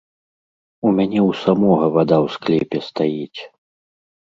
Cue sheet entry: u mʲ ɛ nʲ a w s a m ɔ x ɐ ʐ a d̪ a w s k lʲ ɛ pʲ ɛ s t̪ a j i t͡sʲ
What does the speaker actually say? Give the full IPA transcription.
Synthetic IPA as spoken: u mʲ a nʲ ɛ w s a m ɔ ɣ ɐ v a d̪ a w s k lʲ ɛ pʲ ɛ s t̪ a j i t͡sʲ